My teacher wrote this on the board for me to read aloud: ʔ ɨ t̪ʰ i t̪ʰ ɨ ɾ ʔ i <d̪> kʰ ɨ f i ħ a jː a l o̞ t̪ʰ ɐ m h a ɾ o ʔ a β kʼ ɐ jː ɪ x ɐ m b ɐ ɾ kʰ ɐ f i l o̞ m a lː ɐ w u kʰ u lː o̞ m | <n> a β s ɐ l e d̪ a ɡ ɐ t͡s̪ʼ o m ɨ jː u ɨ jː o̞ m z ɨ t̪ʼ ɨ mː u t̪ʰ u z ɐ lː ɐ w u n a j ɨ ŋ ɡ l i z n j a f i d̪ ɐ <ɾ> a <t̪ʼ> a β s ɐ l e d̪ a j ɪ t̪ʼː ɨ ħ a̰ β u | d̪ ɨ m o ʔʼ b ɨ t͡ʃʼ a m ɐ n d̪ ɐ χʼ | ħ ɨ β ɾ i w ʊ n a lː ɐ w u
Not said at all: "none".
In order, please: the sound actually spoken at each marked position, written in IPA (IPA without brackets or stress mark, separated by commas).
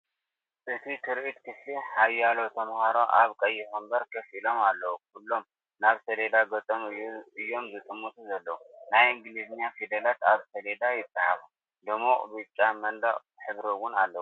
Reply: t̪, n, l, t̪